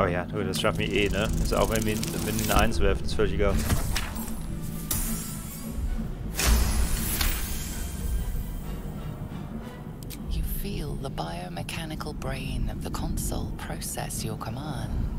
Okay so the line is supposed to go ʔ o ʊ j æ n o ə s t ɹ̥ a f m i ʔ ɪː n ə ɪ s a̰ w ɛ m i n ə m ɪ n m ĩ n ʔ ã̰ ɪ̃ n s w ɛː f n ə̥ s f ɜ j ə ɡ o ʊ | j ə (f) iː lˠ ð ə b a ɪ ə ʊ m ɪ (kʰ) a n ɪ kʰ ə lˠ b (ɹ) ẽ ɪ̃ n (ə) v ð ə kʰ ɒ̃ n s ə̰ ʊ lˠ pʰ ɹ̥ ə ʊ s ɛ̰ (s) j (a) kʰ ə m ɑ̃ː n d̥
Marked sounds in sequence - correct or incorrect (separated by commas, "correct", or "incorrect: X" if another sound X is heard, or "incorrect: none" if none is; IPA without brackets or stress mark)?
correct, correct, correct, correct, correct, incorrect: ə